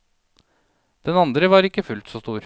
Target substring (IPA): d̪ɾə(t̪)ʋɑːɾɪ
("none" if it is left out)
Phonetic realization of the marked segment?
none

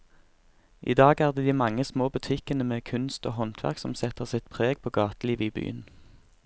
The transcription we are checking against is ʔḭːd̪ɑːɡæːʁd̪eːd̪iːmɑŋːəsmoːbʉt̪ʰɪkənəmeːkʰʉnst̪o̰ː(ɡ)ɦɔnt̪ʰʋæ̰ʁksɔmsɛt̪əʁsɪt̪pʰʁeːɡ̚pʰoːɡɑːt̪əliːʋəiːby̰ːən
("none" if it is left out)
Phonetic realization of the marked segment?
none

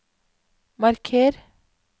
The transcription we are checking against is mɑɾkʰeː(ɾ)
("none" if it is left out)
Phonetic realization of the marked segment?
ɾ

